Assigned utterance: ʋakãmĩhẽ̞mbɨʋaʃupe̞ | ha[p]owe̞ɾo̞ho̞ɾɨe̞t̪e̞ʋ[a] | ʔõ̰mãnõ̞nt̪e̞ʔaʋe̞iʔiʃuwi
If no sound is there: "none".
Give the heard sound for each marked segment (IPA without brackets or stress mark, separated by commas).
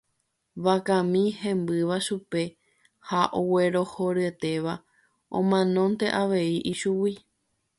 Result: ʔ, a